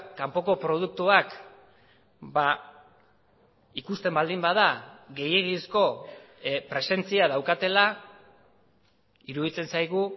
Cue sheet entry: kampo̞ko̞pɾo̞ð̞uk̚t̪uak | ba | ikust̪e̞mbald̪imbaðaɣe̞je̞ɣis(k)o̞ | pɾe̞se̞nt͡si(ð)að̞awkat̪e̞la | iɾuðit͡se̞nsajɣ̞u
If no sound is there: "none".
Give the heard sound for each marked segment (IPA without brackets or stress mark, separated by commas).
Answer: k, none